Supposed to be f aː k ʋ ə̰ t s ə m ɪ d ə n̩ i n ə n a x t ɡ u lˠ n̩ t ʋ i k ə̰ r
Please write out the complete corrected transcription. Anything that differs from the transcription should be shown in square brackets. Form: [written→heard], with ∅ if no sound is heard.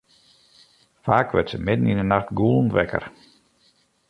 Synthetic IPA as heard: f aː k ʋ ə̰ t s ə m ɪ d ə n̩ i n ə n a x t ɡ u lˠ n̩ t ʋ [i→ɛ] k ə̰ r